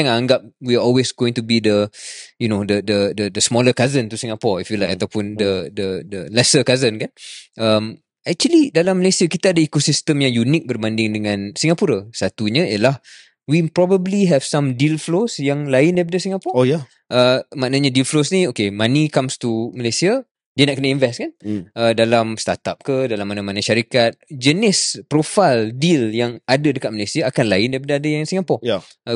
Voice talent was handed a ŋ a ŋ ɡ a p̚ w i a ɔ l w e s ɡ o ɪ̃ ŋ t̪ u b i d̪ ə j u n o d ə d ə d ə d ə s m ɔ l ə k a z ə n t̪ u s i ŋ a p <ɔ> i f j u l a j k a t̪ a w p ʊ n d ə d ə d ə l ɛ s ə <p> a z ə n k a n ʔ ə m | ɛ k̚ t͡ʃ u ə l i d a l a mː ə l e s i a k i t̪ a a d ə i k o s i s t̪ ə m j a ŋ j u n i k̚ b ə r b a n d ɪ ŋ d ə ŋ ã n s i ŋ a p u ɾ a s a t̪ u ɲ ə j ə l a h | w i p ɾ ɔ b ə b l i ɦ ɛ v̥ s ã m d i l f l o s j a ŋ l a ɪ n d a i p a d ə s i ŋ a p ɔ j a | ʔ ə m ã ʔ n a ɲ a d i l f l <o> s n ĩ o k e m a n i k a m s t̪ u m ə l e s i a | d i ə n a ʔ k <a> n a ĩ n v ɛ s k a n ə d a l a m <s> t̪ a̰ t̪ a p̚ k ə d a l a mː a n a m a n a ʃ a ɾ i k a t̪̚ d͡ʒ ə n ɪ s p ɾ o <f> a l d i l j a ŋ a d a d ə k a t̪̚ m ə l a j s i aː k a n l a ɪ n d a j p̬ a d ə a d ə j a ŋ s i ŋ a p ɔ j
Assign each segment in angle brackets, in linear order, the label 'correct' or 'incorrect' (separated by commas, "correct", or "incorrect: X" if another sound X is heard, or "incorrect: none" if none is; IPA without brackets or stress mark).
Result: correct, incorrect: k, correct, incorrect: ə, correct, correct